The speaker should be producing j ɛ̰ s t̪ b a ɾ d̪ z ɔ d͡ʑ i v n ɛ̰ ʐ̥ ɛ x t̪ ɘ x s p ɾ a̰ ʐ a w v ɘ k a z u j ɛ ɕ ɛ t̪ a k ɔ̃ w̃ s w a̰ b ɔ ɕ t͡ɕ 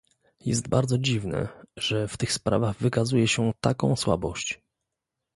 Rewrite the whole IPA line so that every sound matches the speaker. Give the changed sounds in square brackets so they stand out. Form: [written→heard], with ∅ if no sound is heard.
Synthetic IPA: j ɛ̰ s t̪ b a ɾ d̪ z ɔ d͡ʑ i v n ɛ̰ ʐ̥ ɛ [x→f] t̪ ɘ x s p ɾ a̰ [ʐ→v] a [w→ɣ] v ɘ k a z u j ɛ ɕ ɛ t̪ a k ɔ̃ w̃ s w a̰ b ɔ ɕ t͡ɕ